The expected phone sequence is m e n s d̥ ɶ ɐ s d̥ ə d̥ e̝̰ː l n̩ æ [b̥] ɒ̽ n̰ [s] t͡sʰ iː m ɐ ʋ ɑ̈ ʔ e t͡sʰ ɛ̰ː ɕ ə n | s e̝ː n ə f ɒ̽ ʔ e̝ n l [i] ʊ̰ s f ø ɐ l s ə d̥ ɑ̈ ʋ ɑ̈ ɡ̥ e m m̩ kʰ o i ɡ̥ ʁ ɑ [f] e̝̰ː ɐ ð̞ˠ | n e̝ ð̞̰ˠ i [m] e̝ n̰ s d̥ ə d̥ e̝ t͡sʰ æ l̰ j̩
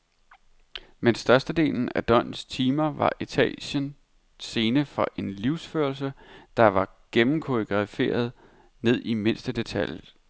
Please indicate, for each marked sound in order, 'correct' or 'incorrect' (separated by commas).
incorrect, correct, correct, correct, correct